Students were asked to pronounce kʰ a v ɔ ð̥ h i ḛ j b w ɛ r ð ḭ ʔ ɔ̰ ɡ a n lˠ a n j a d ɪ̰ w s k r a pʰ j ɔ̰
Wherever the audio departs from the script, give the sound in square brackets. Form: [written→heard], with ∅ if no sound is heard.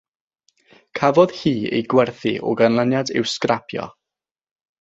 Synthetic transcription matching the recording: kʰ a v ɔ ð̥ h [i→iː] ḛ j [b→ɡ] w ɛ r [ð→θ] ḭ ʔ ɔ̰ ɡ a n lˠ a n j a d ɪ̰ w s k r a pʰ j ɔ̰